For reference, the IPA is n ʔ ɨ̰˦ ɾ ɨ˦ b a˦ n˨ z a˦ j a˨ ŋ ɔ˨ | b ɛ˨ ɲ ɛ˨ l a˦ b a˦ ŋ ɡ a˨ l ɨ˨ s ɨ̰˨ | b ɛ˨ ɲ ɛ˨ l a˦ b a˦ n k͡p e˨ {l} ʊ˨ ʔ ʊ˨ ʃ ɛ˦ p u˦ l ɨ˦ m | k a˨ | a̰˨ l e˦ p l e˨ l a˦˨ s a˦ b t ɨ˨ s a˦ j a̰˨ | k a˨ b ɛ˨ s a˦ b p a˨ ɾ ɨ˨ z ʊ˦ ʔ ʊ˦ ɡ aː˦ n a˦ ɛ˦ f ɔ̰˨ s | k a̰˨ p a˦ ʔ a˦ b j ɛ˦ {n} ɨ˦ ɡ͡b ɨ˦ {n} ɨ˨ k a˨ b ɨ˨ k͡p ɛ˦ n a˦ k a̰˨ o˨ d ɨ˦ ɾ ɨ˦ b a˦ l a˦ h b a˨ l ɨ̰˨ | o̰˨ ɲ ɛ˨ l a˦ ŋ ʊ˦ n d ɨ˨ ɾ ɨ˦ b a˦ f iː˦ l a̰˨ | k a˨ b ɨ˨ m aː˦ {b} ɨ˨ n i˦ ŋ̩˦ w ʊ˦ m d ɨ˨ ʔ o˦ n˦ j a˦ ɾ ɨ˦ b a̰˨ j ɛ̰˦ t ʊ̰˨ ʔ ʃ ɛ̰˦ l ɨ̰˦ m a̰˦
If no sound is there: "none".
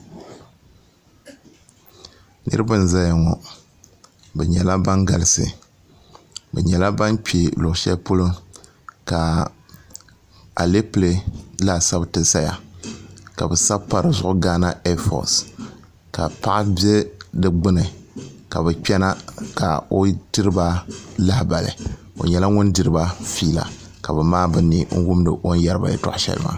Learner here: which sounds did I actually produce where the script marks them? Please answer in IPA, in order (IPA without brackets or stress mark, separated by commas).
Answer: l, d, n, b